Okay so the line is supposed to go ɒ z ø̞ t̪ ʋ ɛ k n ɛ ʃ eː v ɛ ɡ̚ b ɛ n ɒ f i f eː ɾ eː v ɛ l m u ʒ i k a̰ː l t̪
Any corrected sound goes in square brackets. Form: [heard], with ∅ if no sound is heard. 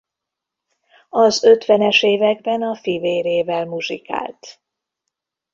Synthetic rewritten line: ɒ z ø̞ t̪ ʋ ɛ [∅] n ɛ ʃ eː v ɛ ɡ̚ b ɛ n ɒ f i [v] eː ɾ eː v ɛ l m u ʒ i k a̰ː l t̪